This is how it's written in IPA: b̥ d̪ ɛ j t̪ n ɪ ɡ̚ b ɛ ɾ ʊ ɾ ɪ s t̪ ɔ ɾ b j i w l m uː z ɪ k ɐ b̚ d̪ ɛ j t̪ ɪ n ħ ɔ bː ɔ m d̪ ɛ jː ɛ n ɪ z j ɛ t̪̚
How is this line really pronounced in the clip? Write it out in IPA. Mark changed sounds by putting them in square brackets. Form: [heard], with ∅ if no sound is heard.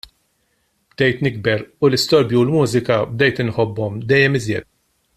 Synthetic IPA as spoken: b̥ d̪ ɛ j t̪ n ɪ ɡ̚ b ɛ ɾ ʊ [l] ɪ s t̪ ɔ ɾ b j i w l m uː z ɪ k ɐ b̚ d̪ ɛ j t̪ ɪ n ħ ɔ bː ɔ m d̪ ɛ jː ɛ [m] ɪ z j ɛ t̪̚